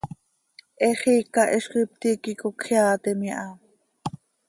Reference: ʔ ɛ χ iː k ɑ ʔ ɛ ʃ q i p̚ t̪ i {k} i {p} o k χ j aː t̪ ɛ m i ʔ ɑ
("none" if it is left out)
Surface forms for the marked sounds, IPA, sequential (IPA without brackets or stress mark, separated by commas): k, k